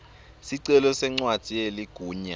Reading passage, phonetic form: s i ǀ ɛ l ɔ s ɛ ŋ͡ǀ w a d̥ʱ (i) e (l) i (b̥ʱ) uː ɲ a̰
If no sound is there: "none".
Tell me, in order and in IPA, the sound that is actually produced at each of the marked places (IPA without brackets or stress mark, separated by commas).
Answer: i, l, ɡ̥ʱ